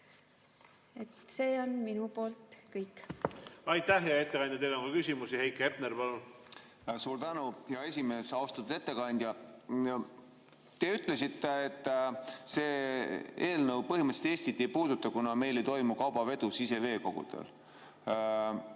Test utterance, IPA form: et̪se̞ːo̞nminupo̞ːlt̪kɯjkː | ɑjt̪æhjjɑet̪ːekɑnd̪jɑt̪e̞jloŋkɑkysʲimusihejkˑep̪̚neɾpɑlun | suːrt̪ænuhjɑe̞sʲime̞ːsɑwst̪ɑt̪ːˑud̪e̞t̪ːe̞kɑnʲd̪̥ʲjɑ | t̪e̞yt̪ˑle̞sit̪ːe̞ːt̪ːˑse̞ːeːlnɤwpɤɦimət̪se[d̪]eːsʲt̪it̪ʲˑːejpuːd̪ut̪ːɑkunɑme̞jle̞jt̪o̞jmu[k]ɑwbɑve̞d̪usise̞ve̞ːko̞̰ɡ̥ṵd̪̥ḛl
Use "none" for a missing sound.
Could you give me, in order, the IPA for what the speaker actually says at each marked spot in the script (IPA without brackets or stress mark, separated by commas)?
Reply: t̪, k